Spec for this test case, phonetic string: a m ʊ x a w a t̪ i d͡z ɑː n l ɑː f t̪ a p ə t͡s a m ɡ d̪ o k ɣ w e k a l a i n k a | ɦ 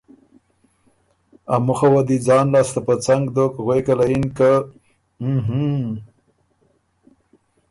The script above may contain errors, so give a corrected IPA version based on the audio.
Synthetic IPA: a m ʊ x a w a d̪ i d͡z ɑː n l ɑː s t̪ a p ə t͡s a ŋ ɡ d̪ o k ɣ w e k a l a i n k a | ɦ